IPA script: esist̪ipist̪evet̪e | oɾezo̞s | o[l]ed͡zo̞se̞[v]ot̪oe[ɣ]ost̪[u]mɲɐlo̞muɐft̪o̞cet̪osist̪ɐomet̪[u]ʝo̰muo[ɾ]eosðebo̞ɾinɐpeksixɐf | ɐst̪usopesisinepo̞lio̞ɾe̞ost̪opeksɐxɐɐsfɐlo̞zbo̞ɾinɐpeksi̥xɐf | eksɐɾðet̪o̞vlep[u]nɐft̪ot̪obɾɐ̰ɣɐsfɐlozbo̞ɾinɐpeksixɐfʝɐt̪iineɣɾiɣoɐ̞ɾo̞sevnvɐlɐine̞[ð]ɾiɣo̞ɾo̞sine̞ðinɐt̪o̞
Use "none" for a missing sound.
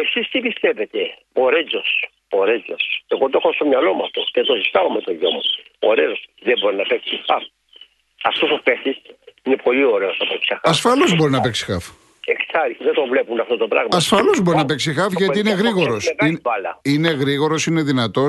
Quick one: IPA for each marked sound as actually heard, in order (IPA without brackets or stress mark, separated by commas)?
ɾ, ɣ, x, o, o, ɾ, u, ɣ